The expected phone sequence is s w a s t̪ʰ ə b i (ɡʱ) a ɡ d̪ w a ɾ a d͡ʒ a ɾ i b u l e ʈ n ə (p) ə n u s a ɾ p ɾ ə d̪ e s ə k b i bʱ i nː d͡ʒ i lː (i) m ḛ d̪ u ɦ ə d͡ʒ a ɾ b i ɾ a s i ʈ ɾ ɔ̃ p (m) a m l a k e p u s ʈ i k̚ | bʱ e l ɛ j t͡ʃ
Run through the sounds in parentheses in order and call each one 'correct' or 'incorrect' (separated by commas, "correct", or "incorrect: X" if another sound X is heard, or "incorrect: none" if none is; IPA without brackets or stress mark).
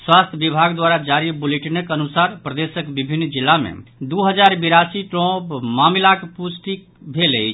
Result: incorrect: bʱ, incorrect: k, incorrect: a, correct